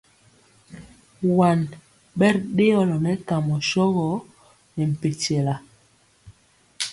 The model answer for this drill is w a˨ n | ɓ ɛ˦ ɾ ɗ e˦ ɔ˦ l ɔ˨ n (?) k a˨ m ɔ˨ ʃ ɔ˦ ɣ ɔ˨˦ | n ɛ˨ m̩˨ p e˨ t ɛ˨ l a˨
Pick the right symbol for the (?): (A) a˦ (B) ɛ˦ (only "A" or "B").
B